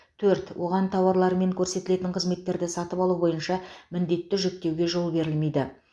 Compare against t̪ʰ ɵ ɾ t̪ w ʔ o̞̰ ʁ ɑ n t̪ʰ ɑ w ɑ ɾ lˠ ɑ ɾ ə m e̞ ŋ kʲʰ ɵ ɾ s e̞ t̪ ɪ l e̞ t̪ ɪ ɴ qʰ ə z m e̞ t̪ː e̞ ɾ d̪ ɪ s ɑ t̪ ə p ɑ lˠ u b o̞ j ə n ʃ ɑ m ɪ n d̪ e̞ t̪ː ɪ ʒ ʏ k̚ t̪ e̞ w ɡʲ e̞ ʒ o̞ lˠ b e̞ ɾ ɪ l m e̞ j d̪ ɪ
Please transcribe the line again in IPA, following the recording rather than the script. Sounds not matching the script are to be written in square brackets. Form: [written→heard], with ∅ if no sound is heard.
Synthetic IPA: t̪ʰ ɵ ɾ t̪ w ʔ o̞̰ ʁ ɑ n t̪ʰ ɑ w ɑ ɾ lˠ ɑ ɾ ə m e̞ ŋ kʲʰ ɵ ɾ s e̞ t̪ ɪ l e̞ t̪ ɪ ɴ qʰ ə z m e̞ t̪ː e̞ ɾ d̪ ɪ s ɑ t̪ ə p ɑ lˠ u b o̞ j ə n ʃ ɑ m ɪ n d̪ e̞ t̪ː ɪ ʒ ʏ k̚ t̪ e̞ w ɡʲ e̞ ʒ o̞ lˠ b e̞ ɾ ɪ l m e̞ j d̪ ɪ